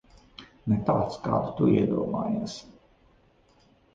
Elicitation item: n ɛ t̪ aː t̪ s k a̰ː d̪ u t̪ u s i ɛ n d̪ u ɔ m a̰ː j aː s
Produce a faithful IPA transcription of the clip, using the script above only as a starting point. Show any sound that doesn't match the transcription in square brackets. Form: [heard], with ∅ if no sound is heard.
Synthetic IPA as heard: n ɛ t̪ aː t̪ s k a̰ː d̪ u t̪ u [∅] i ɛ [∅] d̪ u ɔ m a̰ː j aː s